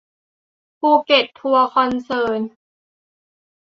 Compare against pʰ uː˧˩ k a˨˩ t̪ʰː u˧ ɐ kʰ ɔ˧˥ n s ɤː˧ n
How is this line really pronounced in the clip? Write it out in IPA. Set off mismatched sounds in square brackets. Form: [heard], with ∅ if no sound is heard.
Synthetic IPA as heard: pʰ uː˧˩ k [e˨˩] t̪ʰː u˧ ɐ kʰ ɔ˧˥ n s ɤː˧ n

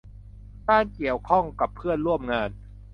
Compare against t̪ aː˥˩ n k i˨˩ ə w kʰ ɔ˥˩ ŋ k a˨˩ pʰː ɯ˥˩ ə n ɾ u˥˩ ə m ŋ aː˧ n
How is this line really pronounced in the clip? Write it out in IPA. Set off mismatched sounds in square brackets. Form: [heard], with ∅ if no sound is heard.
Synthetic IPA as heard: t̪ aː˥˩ n k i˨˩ ə w kʰ ɔ˥˩ ŋ k a˨˩ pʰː ɯ˥˩ ə n ɾ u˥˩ ə m ŋ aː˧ n

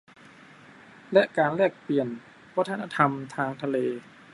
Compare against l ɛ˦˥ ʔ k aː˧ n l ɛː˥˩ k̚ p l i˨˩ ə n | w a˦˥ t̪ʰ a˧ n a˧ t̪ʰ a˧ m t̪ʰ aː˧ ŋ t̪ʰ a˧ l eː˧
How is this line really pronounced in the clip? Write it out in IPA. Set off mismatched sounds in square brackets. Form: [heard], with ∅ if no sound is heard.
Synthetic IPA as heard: l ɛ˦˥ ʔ k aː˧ n l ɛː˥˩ k̚ p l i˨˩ ə n | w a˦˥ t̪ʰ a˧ n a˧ t̪ʰ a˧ m t̪ʰ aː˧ ŋ t̪ʰ a˧ l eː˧

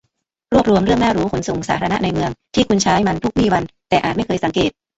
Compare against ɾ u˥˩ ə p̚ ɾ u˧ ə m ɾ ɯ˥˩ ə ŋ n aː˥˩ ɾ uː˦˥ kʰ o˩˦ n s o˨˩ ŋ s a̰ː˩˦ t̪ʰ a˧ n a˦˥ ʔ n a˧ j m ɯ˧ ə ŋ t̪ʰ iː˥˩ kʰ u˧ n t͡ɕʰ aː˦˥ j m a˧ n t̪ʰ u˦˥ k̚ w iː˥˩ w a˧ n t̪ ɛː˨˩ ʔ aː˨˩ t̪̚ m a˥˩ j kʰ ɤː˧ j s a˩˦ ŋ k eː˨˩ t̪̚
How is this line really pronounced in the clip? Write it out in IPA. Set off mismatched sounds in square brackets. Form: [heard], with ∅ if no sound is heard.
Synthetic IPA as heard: ɾ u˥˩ ə p̚ ɾ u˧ ə m ɾ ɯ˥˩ ə ŋ n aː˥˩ ɾ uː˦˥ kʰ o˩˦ n s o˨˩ ŋ s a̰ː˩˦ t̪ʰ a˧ n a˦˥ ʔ n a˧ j m ɯ˧ ə ŋ t̪ʰ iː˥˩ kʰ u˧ n t͡ɕʰ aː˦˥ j m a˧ n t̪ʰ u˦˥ k̚ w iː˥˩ w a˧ n t̪ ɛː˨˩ ʔ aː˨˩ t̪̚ m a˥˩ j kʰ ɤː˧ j s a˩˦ ŋ k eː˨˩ t̪̚

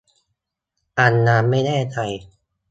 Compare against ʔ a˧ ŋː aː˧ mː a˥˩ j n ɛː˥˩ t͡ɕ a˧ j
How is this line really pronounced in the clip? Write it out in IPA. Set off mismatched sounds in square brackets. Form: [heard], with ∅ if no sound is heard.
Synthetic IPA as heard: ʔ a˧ [nː] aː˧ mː a˥˩ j n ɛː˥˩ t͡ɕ a˧ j

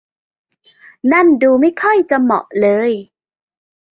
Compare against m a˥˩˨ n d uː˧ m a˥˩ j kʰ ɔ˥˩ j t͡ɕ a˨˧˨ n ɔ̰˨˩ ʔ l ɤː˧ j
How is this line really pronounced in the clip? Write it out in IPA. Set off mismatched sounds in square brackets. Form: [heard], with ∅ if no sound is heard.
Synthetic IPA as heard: [n] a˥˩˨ n d uː˧ m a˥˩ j kʰ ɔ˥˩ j t͡ɕ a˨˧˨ [m] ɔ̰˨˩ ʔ l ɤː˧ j

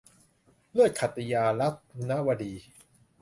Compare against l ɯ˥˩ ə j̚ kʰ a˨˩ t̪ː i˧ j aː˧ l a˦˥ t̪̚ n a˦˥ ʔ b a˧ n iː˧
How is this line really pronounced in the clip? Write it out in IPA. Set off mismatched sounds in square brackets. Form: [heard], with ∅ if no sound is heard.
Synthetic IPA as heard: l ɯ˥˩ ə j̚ kʰ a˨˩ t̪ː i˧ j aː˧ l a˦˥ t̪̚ n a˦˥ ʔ [w] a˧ [d] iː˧

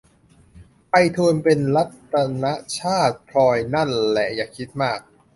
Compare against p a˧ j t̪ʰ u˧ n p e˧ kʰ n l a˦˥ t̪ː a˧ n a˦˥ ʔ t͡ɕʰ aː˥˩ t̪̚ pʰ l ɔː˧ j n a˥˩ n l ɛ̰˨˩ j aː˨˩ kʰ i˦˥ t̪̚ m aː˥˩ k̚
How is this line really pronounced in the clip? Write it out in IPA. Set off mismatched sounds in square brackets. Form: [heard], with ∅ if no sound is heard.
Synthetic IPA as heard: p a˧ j t̪ʰ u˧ n p e˧ [∅] n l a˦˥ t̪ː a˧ n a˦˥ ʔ t͡ɕʰ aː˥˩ t̪̚ pʰ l ɔː˧ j n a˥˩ n l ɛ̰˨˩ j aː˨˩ kʰ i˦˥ t̪̚ m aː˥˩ k̚

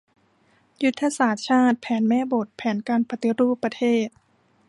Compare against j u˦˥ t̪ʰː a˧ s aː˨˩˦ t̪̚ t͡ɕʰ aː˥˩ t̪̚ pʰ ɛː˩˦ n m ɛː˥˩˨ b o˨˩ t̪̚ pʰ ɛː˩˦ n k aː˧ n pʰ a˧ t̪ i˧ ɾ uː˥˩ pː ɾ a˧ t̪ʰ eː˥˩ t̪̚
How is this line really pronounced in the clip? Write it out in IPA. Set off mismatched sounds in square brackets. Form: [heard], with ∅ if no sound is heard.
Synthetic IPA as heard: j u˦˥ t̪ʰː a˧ s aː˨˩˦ t̪̚ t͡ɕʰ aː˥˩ t̪̚ pʰ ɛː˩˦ n m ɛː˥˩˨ b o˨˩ t̪̚ pʰ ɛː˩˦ n k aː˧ n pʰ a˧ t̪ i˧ ɾ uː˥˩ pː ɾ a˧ t̪ʰ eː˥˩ t̪̚

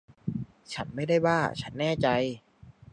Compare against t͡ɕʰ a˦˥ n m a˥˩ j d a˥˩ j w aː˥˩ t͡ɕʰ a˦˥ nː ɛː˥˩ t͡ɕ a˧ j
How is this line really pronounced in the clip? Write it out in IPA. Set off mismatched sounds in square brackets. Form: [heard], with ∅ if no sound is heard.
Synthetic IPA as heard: t͡ɕʰ a˦˥ n m a˥˩ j d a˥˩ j w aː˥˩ t͡ɕʰ a˦˥ nː ɛː˥˩ t͡ɕ a˧ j

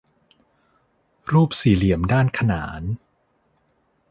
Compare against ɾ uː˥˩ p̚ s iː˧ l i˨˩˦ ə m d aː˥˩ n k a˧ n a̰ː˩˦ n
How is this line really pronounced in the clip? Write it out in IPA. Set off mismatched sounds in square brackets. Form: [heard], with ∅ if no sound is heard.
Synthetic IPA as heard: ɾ uː˥˩ p̚ s [iː˨˩] l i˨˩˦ ə m d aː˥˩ n [kʰ] a˧ n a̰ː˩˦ n

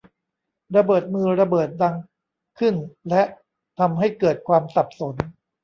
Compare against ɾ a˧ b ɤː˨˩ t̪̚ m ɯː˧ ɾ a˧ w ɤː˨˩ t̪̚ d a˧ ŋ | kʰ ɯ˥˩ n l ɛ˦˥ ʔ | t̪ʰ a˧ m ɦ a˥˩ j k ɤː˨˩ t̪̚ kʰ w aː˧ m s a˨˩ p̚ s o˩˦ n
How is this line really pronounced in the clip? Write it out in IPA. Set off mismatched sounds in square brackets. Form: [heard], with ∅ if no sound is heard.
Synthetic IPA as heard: ɾ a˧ b ɤː˨˩ t̪̚ m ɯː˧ ɾ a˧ [b] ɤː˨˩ t̪̚ d a˧ ŋ | kʰ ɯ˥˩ n l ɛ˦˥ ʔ | t̪ʰ a˧ m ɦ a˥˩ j k ɤː˨˩ t̪̚ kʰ w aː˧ m s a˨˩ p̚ s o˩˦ n

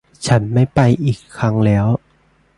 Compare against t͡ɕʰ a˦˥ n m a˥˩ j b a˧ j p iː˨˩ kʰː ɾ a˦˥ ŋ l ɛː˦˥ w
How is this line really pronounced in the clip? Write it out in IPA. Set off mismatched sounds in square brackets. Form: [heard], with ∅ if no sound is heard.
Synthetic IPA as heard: t͡ɕʰ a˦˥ n m a˥˩ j [p] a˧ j [ʔ] iː˨˩ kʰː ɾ a˦˥ ŋ l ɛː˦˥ w

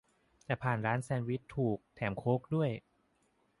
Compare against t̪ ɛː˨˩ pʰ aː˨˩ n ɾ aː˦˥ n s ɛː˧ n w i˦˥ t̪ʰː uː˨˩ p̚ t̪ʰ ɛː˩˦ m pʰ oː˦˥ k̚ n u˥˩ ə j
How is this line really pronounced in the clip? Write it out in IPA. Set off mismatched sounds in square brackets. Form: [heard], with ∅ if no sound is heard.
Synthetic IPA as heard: t̪ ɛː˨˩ pʰ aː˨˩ n ɾ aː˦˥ n s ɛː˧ n w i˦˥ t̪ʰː uː˨˩ [k̚] t̪ʰ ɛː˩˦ m [kʰ] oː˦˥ k̚ [d] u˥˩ ə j

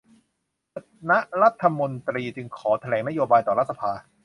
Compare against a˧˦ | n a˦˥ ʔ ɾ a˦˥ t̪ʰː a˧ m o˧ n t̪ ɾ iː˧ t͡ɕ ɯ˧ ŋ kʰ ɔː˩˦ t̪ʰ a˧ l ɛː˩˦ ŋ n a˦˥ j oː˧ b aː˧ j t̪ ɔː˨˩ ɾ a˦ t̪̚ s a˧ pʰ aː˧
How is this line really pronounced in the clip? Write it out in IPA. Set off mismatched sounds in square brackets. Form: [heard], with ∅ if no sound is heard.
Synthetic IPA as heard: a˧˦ | n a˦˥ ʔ ɾ a˦˥ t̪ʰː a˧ m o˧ n t̪ ɾ iː˧ t͡ɕ ɯ˧ ŋ kʰ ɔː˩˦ t̪ʰ a˧ l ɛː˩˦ ŋ n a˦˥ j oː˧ b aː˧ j t̪ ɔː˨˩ ɾ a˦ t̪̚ s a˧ pʰ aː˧

